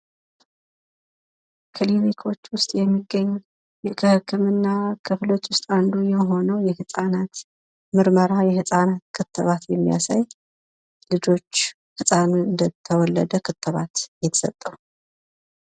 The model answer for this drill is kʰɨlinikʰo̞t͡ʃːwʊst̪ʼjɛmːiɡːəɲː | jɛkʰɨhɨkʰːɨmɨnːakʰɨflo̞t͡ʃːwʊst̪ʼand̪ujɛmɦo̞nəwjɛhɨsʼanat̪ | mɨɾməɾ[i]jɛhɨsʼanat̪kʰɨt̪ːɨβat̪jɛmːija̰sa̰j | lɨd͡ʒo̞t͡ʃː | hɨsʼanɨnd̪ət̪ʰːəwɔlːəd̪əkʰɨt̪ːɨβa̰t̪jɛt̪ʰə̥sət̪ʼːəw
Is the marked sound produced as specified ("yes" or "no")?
no